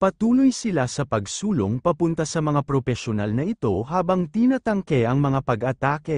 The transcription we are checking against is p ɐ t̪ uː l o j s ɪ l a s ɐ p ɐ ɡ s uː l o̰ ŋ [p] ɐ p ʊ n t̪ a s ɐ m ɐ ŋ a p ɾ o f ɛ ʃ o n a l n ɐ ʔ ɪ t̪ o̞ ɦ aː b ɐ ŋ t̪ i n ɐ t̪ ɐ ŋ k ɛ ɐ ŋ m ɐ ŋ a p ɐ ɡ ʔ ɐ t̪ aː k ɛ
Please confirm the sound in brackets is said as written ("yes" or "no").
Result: yes